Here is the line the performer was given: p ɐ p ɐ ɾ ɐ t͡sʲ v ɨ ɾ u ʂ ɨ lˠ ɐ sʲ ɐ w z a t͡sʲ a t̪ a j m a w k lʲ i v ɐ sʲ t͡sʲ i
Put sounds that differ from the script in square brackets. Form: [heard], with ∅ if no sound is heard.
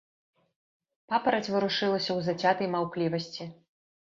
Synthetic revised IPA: p [a] p ɐ ɾ ɐ t͡sʲ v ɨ ɾ u ʂ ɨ lˠ ɐ sʲ ɐ w z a t͡sʲ a t̪ [ɐ] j m a w k lʲ i v ɐ sʲ t͡sʲ i

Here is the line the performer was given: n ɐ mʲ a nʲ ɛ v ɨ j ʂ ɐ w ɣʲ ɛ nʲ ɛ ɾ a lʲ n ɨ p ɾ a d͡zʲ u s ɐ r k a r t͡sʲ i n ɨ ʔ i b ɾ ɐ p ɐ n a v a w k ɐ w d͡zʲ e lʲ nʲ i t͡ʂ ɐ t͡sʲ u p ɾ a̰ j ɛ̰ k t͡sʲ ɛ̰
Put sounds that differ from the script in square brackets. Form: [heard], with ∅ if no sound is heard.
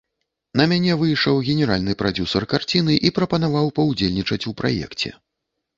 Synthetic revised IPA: n ɐ mʲ a nʲ ɛ v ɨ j ʂ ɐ w ɣʲ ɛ nʲ ɛ ɾ a lʲ n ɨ p ɾ a d͡zʲ u s ɐ r k a r t͡sʲ i n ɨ ʔ i [p] ɾ ɐ p ɐ n a v a w [p] ɐ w d͡zʲ e lʲ nʲ i t͡ʂ ɐ t͡sʲ u p ɾ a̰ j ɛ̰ k t͡sʲ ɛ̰

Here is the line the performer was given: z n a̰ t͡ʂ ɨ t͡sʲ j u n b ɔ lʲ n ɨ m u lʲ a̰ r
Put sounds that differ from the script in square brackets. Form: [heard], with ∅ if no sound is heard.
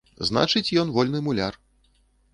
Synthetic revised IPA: z n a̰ t͡ʂ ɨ t͡sʲ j [ɔ] n [v] ɔ lʲ n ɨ m u lʲ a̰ r

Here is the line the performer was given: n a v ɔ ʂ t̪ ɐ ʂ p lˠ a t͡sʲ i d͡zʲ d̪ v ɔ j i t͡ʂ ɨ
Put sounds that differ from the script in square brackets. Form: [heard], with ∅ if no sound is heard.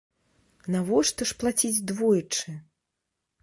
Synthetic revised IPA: n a v ɔ ʂ t̪ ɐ ʂ p lˠ a t͡sʲ i d͡zʲ d̪ v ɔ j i t͡ʂ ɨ

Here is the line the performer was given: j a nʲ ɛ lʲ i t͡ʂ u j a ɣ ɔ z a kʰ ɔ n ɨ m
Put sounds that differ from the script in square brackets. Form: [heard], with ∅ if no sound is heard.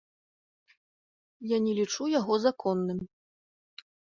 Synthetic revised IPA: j a nʲ ɛ lʲ i t͡ʂ u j a ɣ ɔ z a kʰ ɔ [nː] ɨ m

